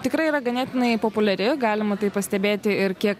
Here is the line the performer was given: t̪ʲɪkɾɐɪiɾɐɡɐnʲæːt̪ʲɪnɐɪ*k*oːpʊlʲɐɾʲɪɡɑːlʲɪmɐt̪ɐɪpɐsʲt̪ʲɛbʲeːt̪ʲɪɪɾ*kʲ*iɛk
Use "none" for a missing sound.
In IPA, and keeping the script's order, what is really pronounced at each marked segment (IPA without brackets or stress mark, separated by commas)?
p, kʲ